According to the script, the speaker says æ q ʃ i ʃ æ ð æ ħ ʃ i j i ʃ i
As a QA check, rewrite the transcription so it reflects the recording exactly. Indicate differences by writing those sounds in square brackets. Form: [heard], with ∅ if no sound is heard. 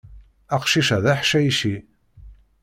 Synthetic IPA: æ q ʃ i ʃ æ ð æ ħ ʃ [æ] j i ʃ i